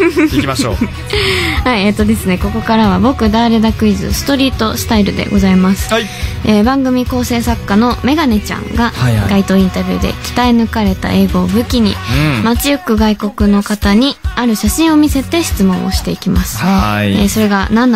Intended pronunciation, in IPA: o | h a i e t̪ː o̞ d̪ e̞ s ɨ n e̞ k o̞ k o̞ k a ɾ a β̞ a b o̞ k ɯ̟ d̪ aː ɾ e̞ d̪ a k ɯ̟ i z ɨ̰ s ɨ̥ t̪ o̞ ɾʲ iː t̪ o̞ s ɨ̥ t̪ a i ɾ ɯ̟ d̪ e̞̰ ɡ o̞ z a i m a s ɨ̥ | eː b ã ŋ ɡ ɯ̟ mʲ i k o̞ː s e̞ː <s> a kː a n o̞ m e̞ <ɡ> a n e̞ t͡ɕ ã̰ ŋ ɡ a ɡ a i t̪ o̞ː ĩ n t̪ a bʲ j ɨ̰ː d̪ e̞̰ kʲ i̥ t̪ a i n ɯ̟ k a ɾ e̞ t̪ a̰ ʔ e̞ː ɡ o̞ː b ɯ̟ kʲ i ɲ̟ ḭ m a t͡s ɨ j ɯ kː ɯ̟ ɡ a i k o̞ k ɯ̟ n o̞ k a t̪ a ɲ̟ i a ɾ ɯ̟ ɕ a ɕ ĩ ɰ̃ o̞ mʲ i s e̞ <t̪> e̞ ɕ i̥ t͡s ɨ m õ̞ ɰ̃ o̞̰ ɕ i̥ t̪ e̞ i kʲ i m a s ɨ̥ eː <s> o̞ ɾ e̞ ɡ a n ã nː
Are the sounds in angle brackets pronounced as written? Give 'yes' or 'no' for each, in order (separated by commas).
yes, yes, yes, yes